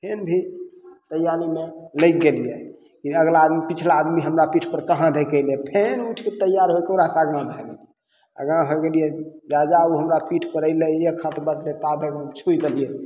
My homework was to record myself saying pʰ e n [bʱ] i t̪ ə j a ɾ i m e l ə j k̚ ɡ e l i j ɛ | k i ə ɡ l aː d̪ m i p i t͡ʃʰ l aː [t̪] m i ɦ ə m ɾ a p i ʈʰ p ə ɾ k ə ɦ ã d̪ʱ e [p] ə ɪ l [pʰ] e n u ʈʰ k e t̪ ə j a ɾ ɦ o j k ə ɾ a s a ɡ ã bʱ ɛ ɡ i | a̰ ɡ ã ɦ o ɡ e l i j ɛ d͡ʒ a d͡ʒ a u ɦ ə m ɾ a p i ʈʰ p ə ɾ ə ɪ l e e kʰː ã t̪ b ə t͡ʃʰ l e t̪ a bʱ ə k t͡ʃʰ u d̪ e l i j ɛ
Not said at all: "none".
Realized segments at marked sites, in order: bʱ, d̪, k, pʰ

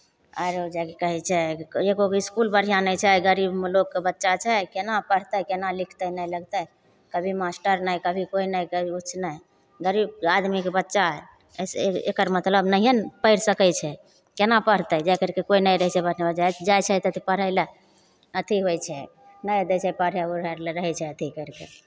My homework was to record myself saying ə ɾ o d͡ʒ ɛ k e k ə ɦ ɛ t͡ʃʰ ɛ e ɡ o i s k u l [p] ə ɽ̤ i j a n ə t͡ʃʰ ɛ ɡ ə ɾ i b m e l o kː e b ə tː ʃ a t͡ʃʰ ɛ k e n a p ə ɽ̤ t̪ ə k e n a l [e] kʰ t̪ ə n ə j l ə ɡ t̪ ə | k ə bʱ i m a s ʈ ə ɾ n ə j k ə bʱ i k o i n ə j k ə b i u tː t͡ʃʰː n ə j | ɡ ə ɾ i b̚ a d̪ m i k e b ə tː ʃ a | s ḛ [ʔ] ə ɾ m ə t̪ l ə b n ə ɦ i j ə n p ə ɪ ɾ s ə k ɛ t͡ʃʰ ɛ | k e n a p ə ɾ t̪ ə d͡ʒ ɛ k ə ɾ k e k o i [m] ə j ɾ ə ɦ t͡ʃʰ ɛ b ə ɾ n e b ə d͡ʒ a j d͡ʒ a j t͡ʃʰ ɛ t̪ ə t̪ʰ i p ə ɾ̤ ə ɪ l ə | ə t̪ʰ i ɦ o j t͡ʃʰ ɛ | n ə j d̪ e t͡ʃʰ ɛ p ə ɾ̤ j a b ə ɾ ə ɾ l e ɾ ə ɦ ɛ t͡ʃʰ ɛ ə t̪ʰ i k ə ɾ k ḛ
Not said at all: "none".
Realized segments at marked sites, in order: b, i, k, n

